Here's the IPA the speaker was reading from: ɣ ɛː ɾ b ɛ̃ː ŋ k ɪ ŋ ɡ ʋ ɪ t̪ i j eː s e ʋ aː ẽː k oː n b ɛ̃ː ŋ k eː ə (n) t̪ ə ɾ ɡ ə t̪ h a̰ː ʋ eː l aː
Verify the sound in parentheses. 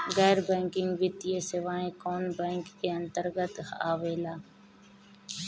correct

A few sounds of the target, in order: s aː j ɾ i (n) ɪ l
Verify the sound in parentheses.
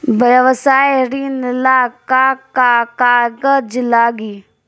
correct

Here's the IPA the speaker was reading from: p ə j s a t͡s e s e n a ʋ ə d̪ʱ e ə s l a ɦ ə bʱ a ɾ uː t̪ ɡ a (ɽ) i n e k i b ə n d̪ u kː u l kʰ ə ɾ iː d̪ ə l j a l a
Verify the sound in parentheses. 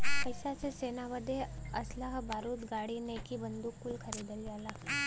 correct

